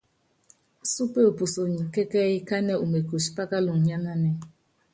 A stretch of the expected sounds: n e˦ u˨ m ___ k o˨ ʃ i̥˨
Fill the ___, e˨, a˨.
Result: e˨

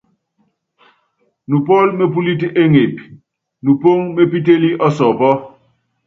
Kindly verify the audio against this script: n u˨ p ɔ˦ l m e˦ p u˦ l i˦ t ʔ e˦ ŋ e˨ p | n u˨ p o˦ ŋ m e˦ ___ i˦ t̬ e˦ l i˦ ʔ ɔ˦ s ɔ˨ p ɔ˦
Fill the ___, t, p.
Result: p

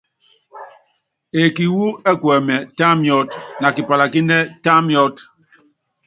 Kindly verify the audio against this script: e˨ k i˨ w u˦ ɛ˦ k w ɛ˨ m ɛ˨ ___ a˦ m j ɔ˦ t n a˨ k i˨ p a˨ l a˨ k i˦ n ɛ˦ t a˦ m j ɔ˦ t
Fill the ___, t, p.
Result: t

